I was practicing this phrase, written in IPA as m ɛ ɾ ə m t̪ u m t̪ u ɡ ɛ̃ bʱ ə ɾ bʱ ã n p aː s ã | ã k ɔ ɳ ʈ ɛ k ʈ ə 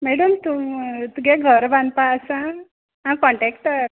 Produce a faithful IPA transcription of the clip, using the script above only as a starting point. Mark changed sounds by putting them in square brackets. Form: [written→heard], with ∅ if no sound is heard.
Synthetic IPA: m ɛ [ɾ→ɽ] ə m t̪ u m t̪ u ɡ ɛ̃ [bʱ→ɡʱ] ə ɾ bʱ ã n p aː s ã | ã k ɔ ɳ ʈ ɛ k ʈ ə